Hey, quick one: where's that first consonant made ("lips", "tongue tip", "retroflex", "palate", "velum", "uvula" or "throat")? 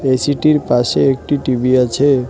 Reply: tongue tip